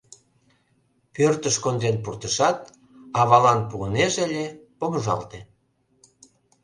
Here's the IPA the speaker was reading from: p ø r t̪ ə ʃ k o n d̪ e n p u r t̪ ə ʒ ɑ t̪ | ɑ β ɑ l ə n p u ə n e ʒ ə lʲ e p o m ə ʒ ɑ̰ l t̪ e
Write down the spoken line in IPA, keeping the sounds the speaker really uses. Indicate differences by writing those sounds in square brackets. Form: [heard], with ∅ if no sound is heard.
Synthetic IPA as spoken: p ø r t̪ ə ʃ k o n d̪ e n p u r t̪ ə [ʃ] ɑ t̪ | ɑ β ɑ l [ɑ] n p u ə n e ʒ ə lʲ e p o m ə ʒ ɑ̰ l t̪ e